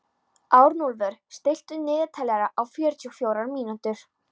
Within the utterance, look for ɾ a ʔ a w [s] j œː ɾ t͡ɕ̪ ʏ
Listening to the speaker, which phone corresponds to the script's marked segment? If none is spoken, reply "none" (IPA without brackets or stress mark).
f